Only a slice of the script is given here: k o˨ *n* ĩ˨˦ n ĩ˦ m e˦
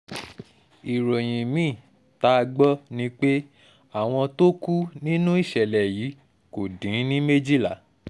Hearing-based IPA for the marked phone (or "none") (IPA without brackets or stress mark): d